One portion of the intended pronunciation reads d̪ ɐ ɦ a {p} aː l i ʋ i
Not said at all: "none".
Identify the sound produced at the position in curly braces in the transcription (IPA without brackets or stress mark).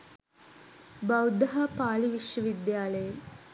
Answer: p